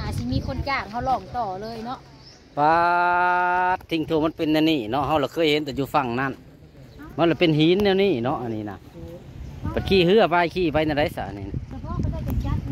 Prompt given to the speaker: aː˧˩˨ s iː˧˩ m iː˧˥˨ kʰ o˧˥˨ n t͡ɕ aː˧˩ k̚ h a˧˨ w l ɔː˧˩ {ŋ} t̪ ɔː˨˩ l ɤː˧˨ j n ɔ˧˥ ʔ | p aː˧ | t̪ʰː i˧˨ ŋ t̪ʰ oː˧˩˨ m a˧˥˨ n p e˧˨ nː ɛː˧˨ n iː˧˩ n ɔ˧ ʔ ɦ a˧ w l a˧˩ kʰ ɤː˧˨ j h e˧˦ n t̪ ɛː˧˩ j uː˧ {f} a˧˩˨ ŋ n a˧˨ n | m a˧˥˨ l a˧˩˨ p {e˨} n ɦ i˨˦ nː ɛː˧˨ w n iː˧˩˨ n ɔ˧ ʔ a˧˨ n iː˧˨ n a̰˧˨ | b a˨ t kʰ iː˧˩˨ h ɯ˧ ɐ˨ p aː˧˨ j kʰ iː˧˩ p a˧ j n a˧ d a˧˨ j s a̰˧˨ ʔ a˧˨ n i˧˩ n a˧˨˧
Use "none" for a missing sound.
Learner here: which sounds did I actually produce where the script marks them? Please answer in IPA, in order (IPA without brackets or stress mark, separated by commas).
ŋ, f, e˨